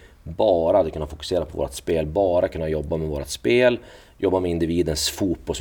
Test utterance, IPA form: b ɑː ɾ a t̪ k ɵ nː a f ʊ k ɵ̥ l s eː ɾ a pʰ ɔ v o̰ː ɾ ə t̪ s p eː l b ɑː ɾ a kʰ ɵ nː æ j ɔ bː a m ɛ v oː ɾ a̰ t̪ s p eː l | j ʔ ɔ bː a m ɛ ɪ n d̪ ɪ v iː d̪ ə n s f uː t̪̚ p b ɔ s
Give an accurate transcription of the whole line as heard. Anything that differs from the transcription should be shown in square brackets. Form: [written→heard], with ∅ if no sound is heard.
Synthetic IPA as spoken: b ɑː ɾ a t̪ k ɵ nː a f ʊ k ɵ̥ [l→∅] s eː ɾ a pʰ ɔ v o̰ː ɾ [ə→a] t̪ s p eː l b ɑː ɾ a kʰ ɵ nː [æ→a] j ɔ bː a m ɛ v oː ɾ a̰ t̪ s p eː l | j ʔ ɔ bː a m ɛ ɪ n d̪ ɪ v iː d̪ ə n s f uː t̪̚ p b ɔ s